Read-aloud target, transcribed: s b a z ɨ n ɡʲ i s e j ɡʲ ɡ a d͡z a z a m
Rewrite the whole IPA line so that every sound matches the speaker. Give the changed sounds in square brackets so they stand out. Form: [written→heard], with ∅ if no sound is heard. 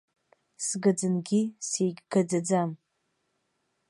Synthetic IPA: s [b→ɡ] a [z→d͡z] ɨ n ɡʲ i s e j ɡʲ ɡ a d͡z a [z→d͡z] a m

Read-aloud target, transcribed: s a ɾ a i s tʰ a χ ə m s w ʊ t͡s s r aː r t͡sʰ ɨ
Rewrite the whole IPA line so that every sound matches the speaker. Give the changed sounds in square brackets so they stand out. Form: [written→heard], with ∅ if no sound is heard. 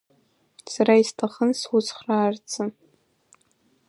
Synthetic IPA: s a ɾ a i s tʰ a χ ə [m→n] s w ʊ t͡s [s→χ] r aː r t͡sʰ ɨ

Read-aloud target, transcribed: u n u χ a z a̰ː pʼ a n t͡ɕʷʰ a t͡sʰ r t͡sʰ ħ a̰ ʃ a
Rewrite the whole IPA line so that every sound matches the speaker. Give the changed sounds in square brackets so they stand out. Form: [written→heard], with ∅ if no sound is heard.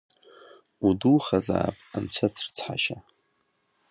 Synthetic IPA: u [n→d] u χ a z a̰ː pʼ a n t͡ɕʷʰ a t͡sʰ r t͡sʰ ħ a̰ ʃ a

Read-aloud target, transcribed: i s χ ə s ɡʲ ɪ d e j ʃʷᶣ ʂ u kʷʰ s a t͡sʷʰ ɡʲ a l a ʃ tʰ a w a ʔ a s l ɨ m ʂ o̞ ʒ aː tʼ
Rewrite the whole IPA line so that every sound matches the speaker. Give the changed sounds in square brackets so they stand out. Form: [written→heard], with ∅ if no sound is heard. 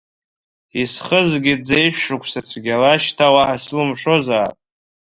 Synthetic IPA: i s χ ə [s→z] ɡʲ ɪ [d→d͡z] e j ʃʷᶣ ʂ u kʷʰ s a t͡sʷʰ ɡʲ a l a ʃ tʰ a w a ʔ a s l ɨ m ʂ o̞ [ʒ→z] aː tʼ

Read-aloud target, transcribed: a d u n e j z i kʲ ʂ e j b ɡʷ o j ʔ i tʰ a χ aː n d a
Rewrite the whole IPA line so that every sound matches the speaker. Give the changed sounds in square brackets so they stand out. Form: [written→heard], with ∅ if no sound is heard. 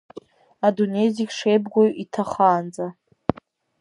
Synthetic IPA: a d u n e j z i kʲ ʂ e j b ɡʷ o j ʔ i tʰ a χ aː n [d→d͡z] a

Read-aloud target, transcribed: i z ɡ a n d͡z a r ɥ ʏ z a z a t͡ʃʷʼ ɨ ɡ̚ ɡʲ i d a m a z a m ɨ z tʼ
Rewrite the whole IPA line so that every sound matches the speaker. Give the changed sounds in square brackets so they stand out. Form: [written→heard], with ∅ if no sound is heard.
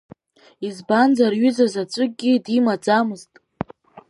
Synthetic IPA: i z [ɡ→b] a n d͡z a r ɥ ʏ z a z a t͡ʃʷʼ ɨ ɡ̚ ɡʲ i d [a→i] m a [z→d͡z] a m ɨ z tʼ

